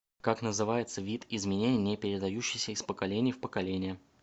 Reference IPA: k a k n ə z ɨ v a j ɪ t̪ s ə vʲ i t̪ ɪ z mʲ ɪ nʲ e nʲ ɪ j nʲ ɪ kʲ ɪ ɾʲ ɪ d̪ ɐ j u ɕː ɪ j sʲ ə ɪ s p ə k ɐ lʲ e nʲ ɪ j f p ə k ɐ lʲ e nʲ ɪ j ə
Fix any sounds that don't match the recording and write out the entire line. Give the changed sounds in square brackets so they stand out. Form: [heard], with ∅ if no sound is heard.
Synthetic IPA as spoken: k a k n ə z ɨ v a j ɪ t̪ s ə vʲ i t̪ ɪ z mʲ ɪ nʲ e nʲ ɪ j nʲ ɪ [pʲ] ɪ ɾʲ ɪ d̪ ɐ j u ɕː ɪ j sʲ ə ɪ s p ə k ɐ lʲ e nʲ ɪ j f p ə k ɐ lʲ e nʲ ɪ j ə